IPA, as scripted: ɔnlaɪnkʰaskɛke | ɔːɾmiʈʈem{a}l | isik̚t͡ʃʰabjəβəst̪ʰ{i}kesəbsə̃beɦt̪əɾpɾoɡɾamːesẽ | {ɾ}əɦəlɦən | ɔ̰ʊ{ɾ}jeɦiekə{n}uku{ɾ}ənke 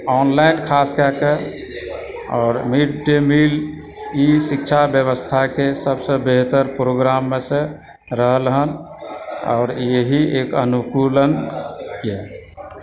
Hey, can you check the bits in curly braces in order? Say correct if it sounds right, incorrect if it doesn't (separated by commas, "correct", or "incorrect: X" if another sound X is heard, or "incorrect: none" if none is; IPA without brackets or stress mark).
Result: incorrect: i, incorrect: a, correct, correct, correct, incorrect: l